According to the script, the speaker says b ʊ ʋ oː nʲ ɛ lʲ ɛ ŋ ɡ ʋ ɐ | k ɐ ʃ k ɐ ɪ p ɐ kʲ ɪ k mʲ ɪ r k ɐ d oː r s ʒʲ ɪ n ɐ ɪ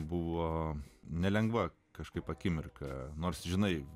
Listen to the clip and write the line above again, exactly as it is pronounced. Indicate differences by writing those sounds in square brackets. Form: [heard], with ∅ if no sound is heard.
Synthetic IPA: b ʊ ʋ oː nʲ ɛ lʲ ɛ ŋ ɡ ʋ ɐ | k ɐ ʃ k ɐ ɪ p ɐ kʲ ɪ [∅] mʲ ɪ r k ɐ [n] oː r s ʒʲ ɪ n ɐ ɪ